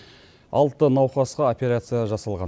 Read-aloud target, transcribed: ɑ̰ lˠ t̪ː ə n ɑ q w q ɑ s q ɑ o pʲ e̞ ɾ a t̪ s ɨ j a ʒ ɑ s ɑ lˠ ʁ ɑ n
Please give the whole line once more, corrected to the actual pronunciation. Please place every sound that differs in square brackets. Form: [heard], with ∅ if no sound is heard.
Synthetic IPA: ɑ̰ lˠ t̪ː ə n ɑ [∅] w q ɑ s q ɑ o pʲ e̞ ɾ a t̪ s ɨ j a ʒ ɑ s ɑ lˠ ʁ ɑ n

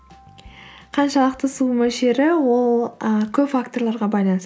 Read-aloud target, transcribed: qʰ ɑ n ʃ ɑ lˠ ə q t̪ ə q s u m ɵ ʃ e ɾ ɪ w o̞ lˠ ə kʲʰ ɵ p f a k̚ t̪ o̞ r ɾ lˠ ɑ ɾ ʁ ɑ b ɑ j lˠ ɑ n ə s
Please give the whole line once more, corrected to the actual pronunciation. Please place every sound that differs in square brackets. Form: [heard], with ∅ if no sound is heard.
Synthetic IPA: qʰ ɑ n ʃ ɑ lˠ ə q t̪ ə [∅] s u m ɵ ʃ e ɾ ɪ w o̞ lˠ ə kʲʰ ɵ p f a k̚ t̪ o̞ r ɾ lˠ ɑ ɾ ʁ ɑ b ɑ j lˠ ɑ n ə s

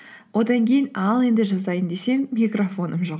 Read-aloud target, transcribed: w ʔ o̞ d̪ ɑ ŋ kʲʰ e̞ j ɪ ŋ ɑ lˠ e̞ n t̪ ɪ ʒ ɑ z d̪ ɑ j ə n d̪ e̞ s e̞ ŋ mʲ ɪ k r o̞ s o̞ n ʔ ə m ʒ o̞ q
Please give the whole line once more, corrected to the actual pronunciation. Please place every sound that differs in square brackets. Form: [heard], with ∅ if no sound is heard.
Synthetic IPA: w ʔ o̞ d̪ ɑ ŋ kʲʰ e̞ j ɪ [n] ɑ lˠ e̞ n [d̪] ɪ ʒ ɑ z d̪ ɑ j ə n d̪ e̞ s e̞ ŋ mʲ [i] k r o̞ [f] o̞ n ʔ ə m ʒ o̞ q

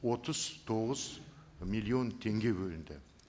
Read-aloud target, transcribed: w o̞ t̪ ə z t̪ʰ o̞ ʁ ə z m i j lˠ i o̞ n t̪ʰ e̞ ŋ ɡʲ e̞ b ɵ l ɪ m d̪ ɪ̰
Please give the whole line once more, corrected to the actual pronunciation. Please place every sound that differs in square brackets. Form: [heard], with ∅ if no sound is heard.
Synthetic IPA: w o̞ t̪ ə z t̪ʰ o̞ ʁ ə z m i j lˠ i o̞ n t̪ʰ e̞ ŋ ɡʲ e̞ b ɵ l ɪ [n] d̪ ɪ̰

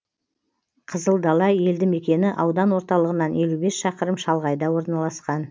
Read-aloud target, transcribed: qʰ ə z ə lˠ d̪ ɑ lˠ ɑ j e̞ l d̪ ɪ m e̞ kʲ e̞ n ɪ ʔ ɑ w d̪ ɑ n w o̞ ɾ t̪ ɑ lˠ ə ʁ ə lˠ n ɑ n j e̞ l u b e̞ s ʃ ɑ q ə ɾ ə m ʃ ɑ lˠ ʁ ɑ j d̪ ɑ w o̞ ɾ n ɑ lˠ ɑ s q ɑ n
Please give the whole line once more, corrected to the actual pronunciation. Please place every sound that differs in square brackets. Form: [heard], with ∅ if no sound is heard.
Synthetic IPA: qʰ ə z ə lˠ d̪ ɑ lˠ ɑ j e̞ l d̪ ɪ m e̞ kʲ e̞ n ɪ ʔ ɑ w d̪ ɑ n w o̞ ɾ t̪ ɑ lˠ ə ʁ ə [∅] n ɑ n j e̞ l u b e̞ s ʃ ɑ q ə ɾ ə m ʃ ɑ lˠ ʁ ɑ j d̪ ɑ w o̞ ɾ n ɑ lˠ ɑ s q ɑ n

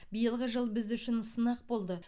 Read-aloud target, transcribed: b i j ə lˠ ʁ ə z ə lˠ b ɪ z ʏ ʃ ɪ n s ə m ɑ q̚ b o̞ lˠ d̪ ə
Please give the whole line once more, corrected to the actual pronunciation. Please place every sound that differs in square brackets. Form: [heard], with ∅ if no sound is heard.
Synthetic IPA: b i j ə lˠ ʁ ə [ʒ] ə lˠ b ɪ z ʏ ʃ ɪ n s ə [n] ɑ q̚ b o̞ lˠ d̪ ə

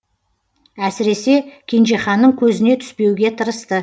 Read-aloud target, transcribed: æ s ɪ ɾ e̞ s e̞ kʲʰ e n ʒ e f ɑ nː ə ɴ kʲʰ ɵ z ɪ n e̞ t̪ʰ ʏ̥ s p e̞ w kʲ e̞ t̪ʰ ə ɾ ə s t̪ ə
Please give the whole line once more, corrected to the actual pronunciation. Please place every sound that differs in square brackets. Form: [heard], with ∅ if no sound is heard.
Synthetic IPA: æ s ɪ ɾ e̞ s e̞ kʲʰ e n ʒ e [χ] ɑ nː ə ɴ kʲʰ ɵ z ɪ n e̞ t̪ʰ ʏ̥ s p e̞ w [ɡʲ] e̞ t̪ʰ ə ɾ ə s t̪ ə

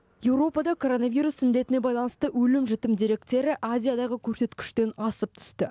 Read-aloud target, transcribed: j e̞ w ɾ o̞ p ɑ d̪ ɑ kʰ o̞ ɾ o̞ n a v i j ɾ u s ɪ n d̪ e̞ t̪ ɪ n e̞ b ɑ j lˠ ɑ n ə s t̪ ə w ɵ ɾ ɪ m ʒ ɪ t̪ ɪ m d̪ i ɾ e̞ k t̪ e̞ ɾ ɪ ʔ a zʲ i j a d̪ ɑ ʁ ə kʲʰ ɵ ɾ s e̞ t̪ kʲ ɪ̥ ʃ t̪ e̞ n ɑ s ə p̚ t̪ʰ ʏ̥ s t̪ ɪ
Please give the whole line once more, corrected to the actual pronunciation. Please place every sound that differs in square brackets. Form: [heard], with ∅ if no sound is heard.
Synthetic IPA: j e̞ w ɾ o̞ p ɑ d̪ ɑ kʰ o̞ ɾ o̞ n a v i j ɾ u s ɪ n d̪ e̞ t̪ ɪ n e̞ b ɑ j lˠ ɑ n ə s t̪ ə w ɵ [l] ɪ m ʒ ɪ t̪ ɪ m d̪ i ɾ e̞ k t̪ e̞ ɾ ɪ ʔ a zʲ i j a d̪ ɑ ʁ ə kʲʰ ɵ ɾ s e̞ t̪ kʲ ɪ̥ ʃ t̪ e̞ n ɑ s ə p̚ t̪ʰ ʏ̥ s t̪ ɪ

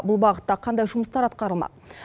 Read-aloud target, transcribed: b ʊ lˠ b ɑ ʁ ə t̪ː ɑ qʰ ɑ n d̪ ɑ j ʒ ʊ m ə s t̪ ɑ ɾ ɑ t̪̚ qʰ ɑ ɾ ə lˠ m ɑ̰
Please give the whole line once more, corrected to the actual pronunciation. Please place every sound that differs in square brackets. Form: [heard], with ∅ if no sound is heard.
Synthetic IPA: b ʊ lˠ b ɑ ʁ ə t̪ː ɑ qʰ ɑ n d̪ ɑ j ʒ ʊ m ə s t̪ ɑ ɾ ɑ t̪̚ [q] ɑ ɾ ə lˠ m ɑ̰

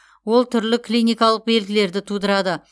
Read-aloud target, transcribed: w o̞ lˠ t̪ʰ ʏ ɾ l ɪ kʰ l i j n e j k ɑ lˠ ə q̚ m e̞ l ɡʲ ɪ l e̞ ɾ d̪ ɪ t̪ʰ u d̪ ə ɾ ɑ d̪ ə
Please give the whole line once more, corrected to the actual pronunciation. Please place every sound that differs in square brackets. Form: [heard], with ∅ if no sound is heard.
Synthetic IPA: w o̞ lˠ t̪ʰ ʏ ɾ l ɪ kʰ l i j n [i] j k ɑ lˠ ə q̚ [b] e̞ l ɡʲ ɪ l e̞ ɾ d̪ ɪ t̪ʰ u d̪ ə ɾ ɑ d̪ ə

